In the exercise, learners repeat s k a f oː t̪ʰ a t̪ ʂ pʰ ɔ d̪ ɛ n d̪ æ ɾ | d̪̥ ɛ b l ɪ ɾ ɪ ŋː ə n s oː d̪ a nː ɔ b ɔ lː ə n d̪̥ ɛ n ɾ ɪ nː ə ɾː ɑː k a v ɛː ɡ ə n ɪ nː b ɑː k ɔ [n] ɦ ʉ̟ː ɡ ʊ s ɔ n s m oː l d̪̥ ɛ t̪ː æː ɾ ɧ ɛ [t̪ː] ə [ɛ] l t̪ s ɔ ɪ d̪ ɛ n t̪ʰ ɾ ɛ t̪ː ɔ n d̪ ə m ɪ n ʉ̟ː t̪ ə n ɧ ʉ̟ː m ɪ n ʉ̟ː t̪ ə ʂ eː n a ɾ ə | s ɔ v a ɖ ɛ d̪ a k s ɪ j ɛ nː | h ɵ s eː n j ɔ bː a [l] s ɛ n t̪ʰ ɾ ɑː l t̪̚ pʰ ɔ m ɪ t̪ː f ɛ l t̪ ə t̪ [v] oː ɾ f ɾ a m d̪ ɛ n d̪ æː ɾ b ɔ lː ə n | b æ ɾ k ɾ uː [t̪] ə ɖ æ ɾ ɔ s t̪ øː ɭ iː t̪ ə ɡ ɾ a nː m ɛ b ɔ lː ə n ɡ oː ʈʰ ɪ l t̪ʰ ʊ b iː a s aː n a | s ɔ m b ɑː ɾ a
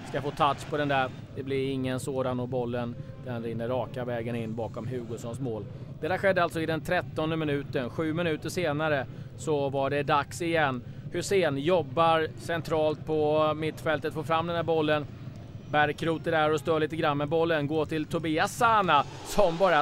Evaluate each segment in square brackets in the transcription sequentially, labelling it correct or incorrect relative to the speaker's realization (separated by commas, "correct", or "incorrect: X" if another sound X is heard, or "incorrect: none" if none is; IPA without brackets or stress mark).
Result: incorrect: m, incorrect: d̪ː, incorrect: a, incorrect: ɾ, incorrect: f, correct